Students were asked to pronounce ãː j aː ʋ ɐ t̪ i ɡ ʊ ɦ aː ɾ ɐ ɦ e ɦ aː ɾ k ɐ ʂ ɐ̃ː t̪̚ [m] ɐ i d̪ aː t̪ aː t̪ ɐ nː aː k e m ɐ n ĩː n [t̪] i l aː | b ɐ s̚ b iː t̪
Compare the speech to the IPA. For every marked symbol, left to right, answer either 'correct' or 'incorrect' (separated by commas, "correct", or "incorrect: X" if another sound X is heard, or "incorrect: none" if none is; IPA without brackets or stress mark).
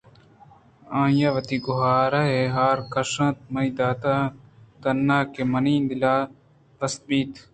correct, incorrect: d̪